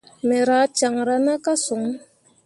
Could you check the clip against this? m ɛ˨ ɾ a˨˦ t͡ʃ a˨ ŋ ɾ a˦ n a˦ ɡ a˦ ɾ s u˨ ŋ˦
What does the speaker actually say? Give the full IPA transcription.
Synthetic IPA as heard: m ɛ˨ ɾ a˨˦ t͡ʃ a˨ ŋ ɾ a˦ n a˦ k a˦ s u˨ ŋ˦